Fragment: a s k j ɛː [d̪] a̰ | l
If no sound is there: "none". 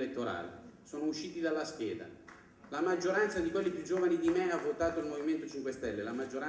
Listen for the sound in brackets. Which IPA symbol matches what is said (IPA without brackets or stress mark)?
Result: d̪